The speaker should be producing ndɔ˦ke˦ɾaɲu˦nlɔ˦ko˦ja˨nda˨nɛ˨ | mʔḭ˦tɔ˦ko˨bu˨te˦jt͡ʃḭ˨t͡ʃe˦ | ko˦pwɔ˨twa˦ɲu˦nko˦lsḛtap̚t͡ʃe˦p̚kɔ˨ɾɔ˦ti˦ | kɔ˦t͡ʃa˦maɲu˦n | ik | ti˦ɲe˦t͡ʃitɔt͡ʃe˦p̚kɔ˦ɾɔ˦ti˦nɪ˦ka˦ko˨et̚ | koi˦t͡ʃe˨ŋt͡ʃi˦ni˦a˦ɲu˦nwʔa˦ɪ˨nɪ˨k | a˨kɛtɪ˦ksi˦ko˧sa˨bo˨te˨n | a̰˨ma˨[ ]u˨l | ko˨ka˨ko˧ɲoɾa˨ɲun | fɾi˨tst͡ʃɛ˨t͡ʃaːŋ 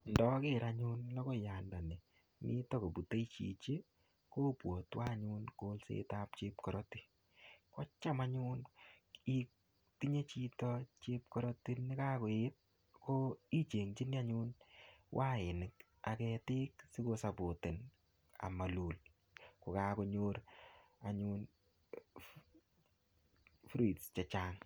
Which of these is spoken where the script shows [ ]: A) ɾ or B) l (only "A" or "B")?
B